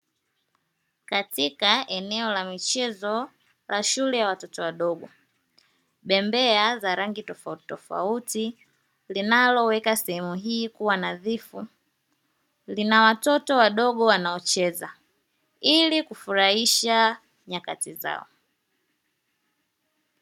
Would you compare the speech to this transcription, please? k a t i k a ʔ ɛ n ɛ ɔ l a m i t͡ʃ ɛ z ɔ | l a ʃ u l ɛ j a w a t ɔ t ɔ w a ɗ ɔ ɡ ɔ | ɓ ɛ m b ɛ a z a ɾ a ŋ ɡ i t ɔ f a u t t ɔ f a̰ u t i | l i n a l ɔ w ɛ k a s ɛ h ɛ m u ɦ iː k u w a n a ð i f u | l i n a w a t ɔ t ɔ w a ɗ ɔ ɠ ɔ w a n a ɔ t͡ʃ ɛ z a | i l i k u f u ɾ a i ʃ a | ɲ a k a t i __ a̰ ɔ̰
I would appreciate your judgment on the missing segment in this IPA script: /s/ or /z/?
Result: z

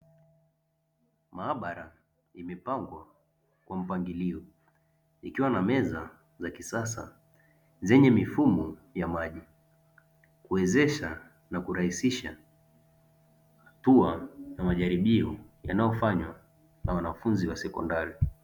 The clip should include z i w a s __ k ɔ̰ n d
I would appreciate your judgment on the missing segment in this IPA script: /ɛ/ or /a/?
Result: ɛ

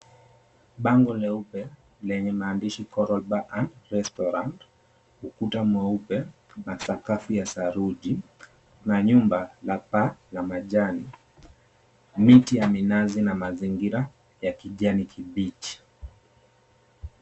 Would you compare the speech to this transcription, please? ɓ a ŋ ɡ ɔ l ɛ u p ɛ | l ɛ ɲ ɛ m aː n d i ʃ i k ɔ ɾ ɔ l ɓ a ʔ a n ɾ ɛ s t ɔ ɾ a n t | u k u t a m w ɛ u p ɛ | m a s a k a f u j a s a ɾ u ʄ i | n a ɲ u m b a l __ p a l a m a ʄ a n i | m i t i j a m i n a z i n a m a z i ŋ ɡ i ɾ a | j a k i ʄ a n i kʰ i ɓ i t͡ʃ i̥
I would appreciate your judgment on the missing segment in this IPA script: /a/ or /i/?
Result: a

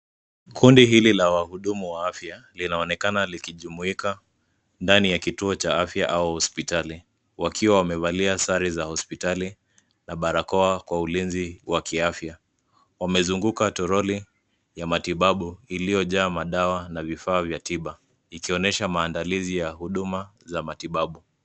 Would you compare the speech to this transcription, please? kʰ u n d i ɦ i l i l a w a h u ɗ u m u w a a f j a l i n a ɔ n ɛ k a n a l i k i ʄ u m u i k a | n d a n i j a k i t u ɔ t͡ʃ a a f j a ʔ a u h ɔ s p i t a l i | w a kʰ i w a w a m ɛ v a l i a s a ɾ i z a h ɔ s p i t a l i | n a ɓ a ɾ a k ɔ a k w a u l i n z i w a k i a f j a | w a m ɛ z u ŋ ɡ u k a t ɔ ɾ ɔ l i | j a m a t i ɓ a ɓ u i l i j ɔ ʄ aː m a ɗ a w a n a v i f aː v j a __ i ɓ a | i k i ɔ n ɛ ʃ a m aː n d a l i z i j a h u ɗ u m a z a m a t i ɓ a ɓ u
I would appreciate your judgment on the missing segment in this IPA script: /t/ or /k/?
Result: t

